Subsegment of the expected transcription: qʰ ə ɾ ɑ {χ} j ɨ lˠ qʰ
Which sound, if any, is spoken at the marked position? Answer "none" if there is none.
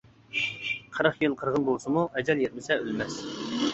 χ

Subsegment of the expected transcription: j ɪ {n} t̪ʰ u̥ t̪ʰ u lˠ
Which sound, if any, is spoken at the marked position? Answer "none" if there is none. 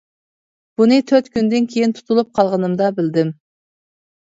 n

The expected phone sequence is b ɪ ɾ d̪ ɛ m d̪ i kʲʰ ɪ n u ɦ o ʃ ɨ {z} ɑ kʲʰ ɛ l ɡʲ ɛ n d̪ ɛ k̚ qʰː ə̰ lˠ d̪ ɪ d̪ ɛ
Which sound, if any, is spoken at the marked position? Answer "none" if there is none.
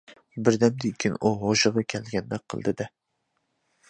ʁ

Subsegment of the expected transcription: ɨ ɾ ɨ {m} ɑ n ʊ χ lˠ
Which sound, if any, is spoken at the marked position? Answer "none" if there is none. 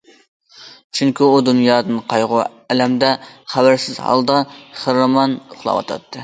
m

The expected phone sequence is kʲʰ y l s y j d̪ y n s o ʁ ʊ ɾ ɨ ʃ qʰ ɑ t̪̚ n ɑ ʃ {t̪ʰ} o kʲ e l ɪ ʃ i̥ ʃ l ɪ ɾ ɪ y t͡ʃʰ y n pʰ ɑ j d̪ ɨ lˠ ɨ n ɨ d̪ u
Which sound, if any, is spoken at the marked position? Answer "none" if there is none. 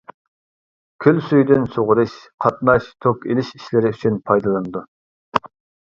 t̪ʰ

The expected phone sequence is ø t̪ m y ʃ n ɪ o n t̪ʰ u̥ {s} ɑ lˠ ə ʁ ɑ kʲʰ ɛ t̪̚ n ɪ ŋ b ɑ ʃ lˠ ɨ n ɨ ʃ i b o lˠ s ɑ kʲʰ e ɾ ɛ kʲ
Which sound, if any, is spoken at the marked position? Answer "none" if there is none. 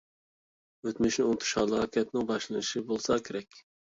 ʃ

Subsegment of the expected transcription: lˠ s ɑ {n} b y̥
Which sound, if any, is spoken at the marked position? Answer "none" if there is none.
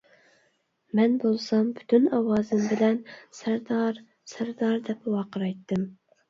m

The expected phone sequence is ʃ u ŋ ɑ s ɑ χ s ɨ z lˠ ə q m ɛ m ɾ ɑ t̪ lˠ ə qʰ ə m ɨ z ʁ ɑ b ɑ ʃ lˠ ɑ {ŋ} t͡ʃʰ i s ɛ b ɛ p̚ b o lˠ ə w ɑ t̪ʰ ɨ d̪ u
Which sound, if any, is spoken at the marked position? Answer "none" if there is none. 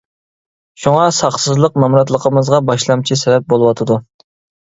m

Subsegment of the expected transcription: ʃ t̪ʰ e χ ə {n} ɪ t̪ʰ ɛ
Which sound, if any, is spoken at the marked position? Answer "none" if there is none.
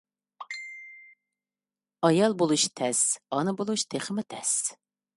m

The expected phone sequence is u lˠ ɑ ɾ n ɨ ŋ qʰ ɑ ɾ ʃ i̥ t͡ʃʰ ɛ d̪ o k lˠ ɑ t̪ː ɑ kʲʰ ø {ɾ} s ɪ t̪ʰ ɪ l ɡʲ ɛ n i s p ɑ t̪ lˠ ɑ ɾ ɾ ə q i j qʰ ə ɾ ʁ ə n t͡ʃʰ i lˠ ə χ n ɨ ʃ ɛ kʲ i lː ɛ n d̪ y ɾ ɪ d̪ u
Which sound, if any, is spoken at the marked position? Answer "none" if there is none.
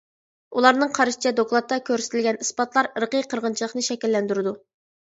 ɾ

